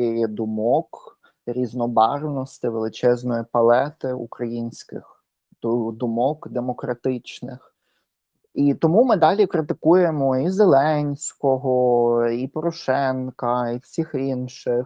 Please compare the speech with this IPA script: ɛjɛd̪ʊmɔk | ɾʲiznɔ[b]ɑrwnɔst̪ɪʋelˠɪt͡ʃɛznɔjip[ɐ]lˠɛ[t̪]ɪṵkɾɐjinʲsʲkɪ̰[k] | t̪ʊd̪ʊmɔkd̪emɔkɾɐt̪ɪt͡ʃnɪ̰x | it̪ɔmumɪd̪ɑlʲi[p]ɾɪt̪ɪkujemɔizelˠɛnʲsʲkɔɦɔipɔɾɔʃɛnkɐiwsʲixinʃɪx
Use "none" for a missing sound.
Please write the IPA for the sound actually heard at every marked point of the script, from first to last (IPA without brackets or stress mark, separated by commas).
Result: b, ɐ, t̪, x, k